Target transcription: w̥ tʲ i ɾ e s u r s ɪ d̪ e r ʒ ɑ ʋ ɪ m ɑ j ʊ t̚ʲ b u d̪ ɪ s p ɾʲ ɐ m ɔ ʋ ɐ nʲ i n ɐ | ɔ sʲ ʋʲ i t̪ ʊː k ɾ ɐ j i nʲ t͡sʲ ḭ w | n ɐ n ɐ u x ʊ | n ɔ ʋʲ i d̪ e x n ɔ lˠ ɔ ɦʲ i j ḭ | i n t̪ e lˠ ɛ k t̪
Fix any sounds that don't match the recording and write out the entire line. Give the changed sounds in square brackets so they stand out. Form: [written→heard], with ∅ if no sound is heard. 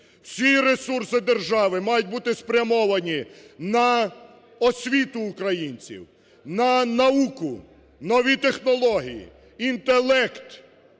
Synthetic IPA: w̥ [tʲ→sʲ] i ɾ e s u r s ɪ d̪ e r ʒ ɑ ʋ ɪ m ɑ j ʊ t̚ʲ b u [d̪→t̪] ɪ s p ɾʲ ɐ m ɔ ʋ ɐ nʲ i n ɐ | ɔ sʲ ʋʲ i t̪ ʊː k ɾ ɐ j i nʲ t͡sʲ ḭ w | n ɐ n ɐ u [x→k] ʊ | n ɔ ʋʲ i [d̪→t̪] e x n ɔ lˠ ɔ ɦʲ i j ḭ | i n t̪ e lˠ ɛ k t̪

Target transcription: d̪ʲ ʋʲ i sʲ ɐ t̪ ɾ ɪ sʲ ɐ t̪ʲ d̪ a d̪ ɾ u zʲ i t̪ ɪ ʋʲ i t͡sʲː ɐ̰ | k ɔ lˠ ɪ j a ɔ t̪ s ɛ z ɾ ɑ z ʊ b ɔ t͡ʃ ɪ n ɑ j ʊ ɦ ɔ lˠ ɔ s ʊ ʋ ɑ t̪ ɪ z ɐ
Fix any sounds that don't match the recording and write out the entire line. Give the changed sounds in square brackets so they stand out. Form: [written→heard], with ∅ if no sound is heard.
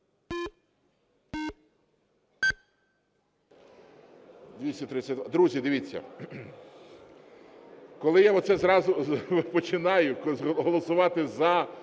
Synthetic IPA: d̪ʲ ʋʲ i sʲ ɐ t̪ ɾ ɪ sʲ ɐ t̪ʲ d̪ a d̪ ɾ u zʲ i [t̪→d̪] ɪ ʋʲ i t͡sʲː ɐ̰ | k ɔ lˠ ɪ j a ɔ t̪ s ɛ z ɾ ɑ z ʊ [b→p] ɔ t͡ʃ ɪ n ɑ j ʊ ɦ ɔ lˠ ɔ s ʊ ʋ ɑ t̪ ɪ z ɐ

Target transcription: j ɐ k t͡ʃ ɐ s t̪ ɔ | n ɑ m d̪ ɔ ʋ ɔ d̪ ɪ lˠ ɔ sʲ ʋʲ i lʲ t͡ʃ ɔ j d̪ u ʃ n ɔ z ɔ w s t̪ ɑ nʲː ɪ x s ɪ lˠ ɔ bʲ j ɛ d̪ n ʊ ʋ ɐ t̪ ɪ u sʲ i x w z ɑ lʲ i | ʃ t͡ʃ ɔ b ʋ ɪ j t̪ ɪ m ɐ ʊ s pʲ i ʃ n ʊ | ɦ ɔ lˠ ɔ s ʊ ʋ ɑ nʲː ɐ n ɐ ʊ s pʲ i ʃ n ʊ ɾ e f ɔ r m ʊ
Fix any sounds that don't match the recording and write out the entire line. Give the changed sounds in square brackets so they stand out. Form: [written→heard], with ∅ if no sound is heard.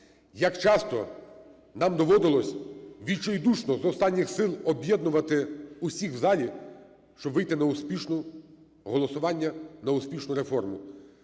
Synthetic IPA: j ɐ k t͡ʃ [ɐ→ɑ] s t̪ ɔ | n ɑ m d̪ ɔ ʋ ɔ d̪ ɪ lˠ ɔ sʲ ʋʲ i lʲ t͡ʃ ɔ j d̪ u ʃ n ɔ z ɔ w s t̪ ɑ nʲː ɪ x s ɪ lˠ ɔ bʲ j ɛ d̪ n ʊ ʋ ɐ t̪ ɪ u sʲ i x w z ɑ lʲ i | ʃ t͡ʃ ɔ b ʋ ɪ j t̪ ɪ [m→n] ɐ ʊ s pʲ i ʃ n ʊ | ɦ ɔ lˠ ɔ s ʊ ʋ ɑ nʲː ɐ n ɐ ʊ s pʲ i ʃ n ʊ ɾ e f ɔ r m ʊ

